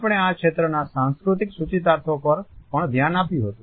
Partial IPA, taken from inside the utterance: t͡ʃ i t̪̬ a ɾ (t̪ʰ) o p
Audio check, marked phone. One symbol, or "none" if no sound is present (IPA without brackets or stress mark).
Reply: t̪ʰ